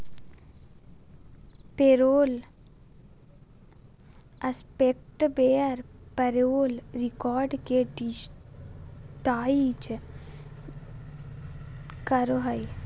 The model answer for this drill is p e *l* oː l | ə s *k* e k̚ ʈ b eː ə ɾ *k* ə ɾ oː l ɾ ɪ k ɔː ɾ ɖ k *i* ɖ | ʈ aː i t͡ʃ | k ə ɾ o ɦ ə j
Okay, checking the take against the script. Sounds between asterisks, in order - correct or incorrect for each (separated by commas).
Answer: incorrect, incorrect, incorrect, incorrect